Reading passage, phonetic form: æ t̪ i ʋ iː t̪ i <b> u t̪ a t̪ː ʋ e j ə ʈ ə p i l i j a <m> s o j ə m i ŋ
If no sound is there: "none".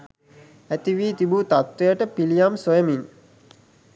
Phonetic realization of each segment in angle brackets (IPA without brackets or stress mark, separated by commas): b, m